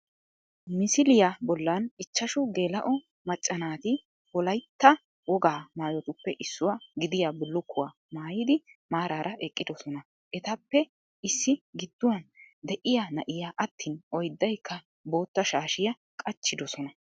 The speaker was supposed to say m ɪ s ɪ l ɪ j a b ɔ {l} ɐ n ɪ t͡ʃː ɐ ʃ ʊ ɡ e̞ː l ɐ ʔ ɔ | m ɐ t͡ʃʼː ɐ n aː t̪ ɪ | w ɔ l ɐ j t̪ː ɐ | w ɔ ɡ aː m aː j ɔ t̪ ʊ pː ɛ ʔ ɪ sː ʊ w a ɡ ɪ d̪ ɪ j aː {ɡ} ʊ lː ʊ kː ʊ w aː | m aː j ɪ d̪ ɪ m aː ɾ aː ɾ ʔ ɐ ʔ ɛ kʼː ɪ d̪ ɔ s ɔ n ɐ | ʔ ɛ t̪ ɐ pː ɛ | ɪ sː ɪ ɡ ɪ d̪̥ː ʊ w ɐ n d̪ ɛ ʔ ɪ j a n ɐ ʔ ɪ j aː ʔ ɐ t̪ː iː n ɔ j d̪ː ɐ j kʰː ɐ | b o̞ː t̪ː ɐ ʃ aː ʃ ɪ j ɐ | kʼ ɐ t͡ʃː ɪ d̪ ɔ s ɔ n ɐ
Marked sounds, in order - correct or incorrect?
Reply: incorrect: lː, incorrect: b

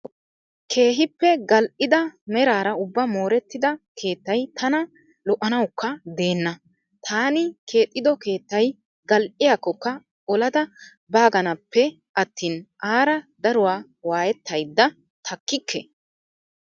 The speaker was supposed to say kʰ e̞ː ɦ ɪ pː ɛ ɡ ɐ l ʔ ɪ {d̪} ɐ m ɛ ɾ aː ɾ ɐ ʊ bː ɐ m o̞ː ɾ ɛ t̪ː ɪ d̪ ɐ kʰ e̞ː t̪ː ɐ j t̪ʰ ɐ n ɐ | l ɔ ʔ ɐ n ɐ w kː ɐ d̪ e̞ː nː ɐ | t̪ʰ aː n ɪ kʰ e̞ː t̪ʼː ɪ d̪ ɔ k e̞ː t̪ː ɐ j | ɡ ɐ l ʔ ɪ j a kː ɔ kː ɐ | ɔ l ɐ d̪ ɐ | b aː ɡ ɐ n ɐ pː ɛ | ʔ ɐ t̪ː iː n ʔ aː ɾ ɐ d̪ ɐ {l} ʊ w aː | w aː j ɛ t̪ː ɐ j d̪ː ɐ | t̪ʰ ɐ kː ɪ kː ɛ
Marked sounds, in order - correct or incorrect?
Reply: correct, incorrect: ɾ

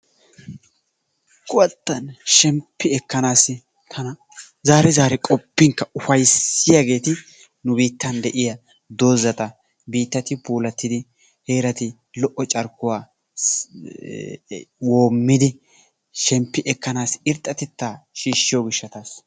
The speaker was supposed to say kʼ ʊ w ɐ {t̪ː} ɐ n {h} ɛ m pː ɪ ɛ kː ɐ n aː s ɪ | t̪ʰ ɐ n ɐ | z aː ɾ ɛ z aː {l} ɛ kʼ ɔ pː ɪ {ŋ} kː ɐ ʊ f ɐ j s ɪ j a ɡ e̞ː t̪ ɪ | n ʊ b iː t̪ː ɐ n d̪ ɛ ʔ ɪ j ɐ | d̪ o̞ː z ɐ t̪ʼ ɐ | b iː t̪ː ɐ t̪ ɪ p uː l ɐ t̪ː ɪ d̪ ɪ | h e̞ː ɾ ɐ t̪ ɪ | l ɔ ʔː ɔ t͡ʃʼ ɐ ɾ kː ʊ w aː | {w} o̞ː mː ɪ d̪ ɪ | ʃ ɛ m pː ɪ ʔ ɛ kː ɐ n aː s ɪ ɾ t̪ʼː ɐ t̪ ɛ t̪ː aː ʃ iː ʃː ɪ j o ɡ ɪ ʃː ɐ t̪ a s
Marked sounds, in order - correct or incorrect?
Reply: correct, incorrect: ʃ, incorrect: ɾ, correct, correct

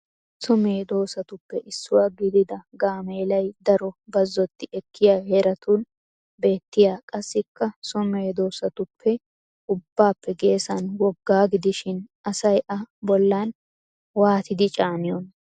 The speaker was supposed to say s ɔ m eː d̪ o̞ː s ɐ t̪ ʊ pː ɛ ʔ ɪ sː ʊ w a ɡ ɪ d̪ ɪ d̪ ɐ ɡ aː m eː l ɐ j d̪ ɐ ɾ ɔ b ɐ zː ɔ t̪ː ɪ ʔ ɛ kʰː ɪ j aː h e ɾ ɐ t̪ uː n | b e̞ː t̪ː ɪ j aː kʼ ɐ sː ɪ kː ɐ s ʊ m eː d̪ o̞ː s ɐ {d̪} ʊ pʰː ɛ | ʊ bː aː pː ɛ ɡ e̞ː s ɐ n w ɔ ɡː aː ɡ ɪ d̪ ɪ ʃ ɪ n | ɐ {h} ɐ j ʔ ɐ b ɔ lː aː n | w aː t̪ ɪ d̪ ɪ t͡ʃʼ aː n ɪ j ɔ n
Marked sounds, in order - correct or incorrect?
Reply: incorrect: t̪, incorrect: s

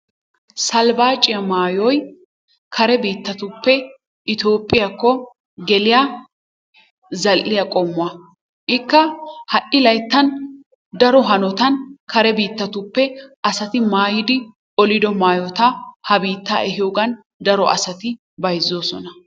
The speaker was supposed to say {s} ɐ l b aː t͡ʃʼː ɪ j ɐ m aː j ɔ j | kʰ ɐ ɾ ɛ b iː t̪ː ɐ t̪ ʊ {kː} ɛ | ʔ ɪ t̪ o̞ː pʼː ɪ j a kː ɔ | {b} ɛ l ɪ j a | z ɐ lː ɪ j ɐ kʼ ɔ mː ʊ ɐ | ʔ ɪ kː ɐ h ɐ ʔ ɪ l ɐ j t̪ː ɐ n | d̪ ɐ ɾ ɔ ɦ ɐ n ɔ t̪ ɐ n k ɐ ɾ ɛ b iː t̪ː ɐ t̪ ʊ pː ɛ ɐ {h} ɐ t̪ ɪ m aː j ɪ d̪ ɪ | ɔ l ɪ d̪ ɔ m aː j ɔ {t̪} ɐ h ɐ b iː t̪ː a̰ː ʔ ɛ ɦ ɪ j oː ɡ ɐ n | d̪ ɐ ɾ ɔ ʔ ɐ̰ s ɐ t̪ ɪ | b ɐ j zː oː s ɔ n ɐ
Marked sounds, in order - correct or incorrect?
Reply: correct, incorrect: pː, incorrect: ɡ, incorrect: s, correct

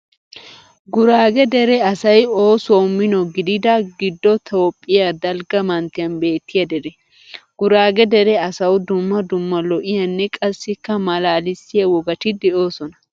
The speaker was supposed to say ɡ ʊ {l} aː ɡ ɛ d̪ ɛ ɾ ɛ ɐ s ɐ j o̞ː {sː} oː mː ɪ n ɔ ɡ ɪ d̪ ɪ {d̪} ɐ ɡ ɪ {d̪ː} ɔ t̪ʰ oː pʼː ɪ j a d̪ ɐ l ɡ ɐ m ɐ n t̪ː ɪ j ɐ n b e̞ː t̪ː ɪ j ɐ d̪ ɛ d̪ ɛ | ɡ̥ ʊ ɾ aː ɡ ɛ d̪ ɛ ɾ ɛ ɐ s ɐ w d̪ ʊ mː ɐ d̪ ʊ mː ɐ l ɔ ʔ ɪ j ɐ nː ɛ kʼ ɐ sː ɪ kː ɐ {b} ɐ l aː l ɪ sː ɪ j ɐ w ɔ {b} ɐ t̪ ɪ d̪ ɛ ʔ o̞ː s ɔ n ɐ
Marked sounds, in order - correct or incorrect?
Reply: incorrect: ɾ, incorrect: s, correct, correct, incorrect: m, incorrect: ɡ

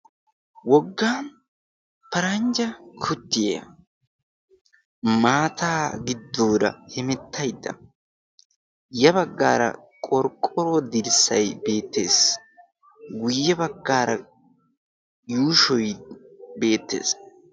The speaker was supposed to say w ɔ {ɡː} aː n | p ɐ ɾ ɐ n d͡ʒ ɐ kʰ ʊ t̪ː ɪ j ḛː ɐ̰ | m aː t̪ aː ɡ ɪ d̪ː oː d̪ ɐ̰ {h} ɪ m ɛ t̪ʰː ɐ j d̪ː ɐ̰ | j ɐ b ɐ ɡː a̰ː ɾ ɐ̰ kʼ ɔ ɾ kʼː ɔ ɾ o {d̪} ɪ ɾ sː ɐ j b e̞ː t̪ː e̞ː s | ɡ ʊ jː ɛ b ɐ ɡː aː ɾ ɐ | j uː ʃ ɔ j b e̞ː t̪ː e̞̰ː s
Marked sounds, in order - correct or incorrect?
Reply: correct, correct, correct

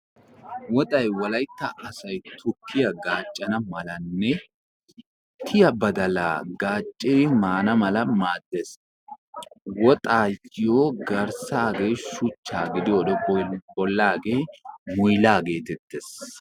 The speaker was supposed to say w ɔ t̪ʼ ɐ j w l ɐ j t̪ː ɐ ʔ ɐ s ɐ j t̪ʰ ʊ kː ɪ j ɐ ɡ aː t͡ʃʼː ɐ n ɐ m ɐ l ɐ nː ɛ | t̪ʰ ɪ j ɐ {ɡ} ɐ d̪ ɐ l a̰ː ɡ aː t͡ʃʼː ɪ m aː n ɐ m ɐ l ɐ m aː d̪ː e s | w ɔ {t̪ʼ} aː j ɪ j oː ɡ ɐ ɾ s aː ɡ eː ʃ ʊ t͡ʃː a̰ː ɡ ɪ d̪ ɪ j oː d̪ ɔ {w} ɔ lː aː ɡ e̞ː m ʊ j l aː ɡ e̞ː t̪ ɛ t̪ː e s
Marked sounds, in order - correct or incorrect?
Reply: incorrect: b, correct, incorrect: b

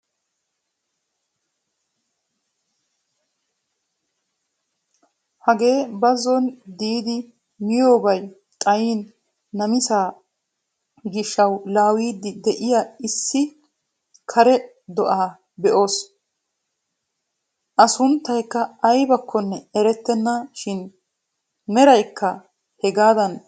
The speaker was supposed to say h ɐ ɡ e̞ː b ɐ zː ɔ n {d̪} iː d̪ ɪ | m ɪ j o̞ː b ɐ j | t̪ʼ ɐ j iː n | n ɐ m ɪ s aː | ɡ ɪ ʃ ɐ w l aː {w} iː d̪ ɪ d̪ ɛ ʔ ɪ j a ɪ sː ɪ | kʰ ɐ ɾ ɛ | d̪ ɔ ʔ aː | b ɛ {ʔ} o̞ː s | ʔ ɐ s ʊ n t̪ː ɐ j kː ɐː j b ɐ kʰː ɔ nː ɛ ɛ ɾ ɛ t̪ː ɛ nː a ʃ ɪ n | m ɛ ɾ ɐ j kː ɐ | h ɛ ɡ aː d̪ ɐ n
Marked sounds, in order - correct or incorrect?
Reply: correct, correct, correct

